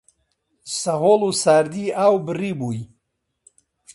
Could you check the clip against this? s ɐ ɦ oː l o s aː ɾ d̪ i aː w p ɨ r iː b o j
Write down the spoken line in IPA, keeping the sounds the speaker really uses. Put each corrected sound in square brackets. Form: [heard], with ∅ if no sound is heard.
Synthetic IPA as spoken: s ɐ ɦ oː l [u] s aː ɾ d̪ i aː w [b] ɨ r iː b [u] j